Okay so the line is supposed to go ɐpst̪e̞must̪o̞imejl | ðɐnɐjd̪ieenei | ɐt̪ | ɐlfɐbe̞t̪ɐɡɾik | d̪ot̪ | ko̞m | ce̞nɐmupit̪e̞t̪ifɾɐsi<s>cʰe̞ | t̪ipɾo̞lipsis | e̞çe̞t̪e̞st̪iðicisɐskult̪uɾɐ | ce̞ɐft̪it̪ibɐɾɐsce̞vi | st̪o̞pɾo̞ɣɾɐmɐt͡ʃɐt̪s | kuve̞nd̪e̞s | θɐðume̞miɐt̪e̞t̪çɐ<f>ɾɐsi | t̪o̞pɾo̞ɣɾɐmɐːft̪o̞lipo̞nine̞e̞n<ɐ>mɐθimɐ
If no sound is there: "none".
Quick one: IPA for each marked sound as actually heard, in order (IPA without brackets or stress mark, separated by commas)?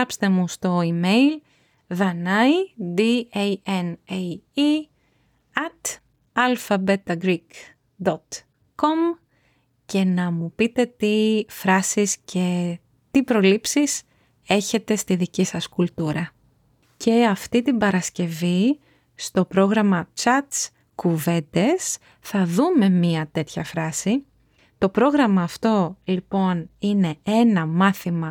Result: s, f, ɐ